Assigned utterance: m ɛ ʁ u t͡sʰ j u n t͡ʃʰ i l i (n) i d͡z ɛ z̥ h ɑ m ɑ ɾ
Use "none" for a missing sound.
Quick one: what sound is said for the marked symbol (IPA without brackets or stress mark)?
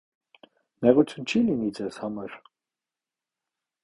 n